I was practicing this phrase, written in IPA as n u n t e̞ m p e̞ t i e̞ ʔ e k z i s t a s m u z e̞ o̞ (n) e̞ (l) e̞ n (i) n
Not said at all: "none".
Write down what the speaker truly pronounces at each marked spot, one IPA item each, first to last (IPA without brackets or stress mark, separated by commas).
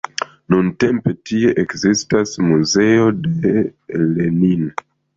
d, l, i